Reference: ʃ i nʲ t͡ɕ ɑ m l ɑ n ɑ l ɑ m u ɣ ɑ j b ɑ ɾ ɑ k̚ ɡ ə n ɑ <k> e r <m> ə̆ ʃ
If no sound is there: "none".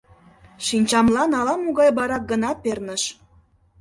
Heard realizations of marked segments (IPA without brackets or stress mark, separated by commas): p, n